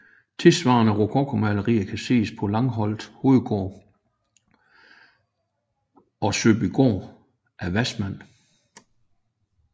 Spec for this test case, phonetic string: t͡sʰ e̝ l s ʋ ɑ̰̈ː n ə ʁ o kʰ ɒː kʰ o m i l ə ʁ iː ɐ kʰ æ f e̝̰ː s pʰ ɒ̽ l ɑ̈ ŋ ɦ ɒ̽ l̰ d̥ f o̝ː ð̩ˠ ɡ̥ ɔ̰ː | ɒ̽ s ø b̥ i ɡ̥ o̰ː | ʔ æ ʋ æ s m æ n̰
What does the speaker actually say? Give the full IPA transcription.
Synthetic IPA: t͡sʰ e̝ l s ʋ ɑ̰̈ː n ə ʁ o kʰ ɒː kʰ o m æ l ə ʁ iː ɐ kʰ æ s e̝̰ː s pʰ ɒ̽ l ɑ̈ ŋ ɦ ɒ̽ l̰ d̥ h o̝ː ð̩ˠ ɡ̥ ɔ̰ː | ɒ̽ s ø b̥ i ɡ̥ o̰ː | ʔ æ ʋ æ s m æ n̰